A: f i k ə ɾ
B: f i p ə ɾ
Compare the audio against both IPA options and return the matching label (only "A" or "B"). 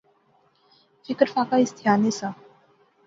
A